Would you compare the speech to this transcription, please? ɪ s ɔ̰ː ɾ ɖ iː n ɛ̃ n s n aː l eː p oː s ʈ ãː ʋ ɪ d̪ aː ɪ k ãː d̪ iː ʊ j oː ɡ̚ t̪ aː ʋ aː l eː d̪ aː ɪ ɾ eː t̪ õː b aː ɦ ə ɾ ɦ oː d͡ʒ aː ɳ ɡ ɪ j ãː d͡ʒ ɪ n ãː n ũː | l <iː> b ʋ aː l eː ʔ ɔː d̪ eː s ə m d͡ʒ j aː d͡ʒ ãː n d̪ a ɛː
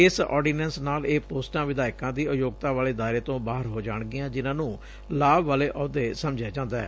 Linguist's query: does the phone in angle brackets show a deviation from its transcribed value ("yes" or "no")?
yes